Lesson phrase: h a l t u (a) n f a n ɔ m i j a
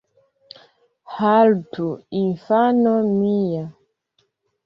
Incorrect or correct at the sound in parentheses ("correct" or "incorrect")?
incorrect